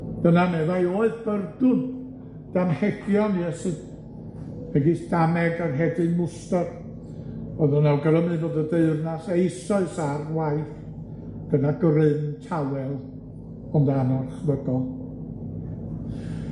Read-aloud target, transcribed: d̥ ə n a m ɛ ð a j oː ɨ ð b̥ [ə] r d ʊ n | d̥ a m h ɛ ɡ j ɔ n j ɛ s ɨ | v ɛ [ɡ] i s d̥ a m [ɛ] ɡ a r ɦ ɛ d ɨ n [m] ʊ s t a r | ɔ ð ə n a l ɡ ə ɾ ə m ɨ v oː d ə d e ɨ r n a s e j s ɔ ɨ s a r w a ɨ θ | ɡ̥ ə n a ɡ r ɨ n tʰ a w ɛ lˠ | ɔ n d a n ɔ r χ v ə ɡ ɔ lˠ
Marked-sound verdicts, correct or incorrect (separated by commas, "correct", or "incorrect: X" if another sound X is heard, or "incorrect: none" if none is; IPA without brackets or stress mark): correct, correct, correct, correct